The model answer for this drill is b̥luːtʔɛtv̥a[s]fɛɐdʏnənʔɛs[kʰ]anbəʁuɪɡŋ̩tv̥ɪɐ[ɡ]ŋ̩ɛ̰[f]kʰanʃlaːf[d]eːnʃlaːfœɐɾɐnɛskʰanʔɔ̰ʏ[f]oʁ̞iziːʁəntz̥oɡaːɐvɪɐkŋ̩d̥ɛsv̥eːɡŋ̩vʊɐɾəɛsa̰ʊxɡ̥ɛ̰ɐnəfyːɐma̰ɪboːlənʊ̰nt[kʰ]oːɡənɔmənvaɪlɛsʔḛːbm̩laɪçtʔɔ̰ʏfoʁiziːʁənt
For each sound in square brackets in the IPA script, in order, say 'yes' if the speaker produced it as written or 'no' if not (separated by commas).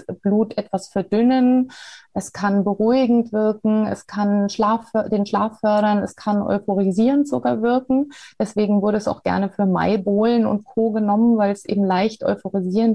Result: yes, yes, no, no, yes, yes, yes